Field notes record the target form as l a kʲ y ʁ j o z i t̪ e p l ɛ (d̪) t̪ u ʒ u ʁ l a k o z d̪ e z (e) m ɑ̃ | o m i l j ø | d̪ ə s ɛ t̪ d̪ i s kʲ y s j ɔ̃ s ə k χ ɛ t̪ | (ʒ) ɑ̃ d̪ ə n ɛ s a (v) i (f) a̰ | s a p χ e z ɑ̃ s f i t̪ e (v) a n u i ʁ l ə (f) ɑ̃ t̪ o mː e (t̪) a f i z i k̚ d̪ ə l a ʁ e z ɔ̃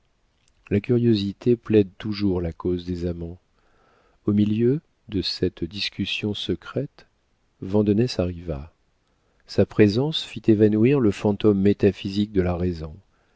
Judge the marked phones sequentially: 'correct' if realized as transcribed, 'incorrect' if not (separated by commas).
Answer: correct, incorrect, incorrect, incorrect, incorrect, correct, correct, correct